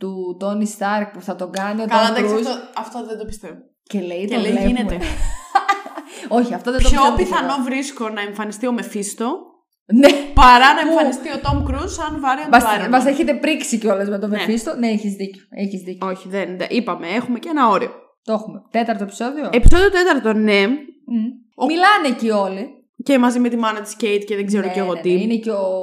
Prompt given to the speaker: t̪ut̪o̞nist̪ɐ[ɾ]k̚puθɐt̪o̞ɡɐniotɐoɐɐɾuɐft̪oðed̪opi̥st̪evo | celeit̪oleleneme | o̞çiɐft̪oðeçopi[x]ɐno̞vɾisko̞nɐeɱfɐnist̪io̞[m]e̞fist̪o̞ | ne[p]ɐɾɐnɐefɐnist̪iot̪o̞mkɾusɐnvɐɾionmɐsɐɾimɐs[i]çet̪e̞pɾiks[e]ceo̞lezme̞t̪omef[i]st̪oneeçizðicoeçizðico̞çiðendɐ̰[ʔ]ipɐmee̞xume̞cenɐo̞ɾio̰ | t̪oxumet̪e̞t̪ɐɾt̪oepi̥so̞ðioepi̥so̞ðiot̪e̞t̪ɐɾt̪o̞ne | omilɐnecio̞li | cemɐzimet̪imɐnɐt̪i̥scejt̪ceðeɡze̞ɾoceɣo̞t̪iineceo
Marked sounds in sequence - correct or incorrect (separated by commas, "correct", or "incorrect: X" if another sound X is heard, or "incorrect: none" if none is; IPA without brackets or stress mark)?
correct, incorrect: θ, correct, correct, incorrect: e, incorrect: i, correct, correct